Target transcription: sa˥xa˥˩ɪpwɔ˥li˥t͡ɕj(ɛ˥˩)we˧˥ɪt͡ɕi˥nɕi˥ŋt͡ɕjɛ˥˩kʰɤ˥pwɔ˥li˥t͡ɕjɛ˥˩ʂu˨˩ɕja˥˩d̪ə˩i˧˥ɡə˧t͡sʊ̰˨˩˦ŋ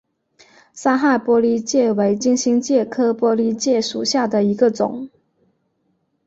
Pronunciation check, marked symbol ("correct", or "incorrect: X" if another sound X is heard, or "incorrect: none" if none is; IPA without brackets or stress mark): correct